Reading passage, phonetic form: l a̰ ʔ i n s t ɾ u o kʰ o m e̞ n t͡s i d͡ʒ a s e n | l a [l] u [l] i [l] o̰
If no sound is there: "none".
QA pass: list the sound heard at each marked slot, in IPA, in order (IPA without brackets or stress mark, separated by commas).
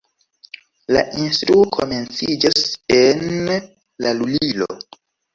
l, l, l